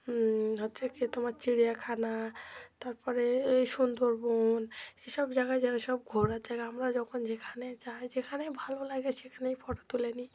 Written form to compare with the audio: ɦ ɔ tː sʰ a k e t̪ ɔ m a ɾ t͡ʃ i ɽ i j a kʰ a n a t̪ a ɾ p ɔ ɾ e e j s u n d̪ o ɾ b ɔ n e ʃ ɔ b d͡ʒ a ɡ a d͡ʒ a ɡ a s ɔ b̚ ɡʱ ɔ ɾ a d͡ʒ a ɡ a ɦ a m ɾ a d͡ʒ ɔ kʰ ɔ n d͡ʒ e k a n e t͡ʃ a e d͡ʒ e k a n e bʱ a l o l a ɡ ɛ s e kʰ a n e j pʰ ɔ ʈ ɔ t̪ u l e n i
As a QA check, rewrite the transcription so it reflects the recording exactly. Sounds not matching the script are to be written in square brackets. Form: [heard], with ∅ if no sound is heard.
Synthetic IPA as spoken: ɦ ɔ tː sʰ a k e t̪ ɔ m a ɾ t͡ʃ i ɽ i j a kʰ a n a t̪ a ɾ p ɔ ɾ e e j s u n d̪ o ɾ b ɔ n e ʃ ɔ b d͡ʒ a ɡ a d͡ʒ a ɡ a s ɔ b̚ ɡʱ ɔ ɾ a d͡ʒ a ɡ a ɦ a m ɾ a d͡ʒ ɔ kʰ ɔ n d͡ʒ e [kʰ] a n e t͡ʃ a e d͡ʒ e [kʰ] a n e bʱ a l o l a ɡ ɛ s e kʰ a n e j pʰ ɔ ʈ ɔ t̪ u l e n i